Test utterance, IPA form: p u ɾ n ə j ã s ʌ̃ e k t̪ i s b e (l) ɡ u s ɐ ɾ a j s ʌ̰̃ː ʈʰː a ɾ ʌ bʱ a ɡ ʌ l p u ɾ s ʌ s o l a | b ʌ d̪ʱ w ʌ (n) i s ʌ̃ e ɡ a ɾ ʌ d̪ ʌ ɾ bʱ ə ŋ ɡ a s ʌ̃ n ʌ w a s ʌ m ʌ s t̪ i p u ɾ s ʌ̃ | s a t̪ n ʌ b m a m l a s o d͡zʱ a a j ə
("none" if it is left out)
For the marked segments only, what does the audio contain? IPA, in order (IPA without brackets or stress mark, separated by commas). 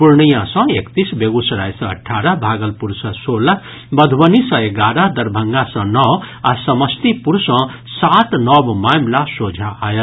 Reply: none, n